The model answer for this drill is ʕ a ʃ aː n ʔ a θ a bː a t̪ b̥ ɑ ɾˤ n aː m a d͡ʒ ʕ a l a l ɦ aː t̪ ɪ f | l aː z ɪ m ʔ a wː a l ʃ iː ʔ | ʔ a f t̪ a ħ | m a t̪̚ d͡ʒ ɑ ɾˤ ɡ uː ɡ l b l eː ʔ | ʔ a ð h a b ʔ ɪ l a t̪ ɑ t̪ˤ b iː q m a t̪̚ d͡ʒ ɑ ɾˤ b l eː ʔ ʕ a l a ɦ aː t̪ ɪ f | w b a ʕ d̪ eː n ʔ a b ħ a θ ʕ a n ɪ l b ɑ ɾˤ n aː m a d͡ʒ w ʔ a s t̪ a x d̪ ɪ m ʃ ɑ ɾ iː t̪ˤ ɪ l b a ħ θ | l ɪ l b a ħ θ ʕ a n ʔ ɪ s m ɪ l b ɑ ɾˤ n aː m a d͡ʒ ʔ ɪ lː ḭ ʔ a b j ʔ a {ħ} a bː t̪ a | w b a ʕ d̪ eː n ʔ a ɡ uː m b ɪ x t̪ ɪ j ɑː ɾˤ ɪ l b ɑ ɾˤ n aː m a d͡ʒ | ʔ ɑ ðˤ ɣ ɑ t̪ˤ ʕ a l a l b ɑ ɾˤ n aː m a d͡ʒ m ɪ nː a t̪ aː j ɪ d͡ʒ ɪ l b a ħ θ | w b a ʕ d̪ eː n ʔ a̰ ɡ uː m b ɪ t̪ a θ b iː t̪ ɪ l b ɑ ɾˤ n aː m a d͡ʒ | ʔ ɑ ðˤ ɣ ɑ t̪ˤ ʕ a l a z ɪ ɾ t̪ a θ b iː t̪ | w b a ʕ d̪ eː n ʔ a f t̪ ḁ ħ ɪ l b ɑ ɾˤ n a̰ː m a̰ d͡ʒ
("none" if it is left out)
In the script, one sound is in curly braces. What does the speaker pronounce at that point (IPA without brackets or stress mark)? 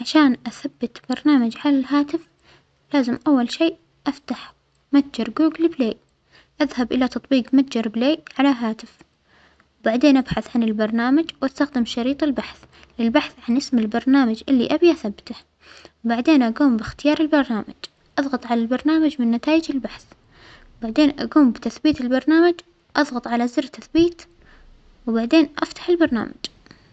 θ